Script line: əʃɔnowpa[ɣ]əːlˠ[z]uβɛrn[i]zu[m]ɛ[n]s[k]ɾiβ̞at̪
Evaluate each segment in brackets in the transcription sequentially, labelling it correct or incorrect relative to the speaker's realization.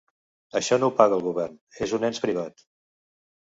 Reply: correct, incorrect: ɣ, incorrect: e, incorrect: n, correct, incorrect: p

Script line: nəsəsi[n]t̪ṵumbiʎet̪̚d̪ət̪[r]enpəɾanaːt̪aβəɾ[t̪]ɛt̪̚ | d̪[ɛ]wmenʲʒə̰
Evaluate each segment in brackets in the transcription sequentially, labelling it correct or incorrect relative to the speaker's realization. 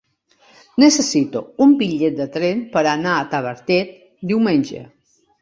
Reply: incorrect: none, incorrect: ɾ, correct, incorrect: i

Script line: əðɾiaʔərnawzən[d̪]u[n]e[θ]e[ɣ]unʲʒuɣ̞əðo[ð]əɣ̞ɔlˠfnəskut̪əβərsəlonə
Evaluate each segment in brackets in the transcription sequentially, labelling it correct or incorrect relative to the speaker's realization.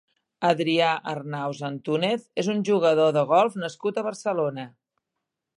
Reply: incorrect: t̪, correct, correct, incorrect: z, correct

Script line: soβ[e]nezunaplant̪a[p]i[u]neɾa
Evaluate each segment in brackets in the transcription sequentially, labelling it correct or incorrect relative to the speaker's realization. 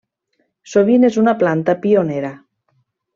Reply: incorrect: i, correct, incorrect: o

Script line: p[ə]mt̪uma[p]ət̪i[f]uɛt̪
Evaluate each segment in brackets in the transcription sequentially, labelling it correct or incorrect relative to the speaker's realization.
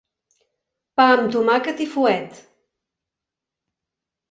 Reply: incorrect: a, incorrect: k, correct

